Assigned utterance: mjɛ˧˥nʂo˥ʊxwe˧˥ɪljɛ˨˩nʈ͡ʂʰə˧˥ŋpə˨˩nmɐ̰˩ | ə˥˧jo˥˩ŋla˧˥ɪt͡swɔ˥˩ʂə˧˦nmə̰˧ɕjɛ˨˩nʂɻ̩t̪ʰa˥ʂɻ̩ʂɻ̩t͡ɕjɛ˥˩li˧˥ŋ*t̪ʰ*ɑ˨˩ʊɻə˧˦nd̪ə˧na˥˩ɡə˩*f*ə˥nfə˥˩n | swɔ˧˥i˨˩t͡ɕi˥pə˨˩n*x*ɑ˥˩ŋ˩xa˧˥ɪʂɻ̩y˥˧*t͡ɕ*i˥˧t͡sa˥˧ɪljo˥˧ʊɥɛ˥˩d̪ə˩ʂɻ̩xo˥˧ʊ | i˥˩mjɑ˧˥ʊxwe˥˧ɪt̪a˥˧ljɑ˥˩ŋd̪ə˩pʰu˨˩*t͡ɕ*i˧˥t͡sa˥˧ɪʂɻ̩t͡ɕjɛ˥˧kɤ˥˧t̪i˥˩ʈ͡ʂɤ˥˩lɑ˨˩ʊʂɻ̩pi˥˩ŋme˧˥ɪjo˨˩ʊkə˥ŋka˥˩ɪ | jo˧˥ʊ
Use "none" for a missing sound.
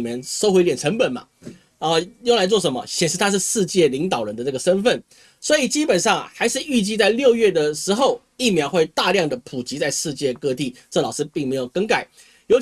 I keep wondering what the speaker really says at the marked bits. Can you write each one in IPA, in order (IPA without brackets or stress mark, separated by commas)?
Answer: t̪, ʂ, ʂ, t͡ɕ, t͡ɕ